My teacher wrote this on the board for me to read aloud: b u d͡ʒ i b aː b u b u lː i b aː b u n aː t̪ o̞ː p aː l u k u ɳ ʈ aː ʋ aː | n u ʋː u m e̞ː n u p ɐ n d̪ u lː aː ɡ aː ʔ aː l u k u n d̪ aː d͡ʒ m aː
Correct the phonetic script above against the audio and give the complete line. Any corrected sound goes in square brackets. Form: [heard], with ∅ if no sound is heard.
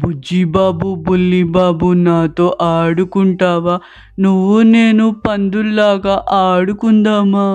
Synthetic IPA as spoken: b u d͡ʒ i b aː b u b u lː i b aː b u n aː t̪ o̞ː [ʔ] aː [ɽ] u k u ɳ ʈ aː ʋ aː | n u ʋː u [n] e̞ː n u p ɐ n d̪ u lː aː ɡ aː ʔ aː [ɽ] u k u n d̪ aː [∅] m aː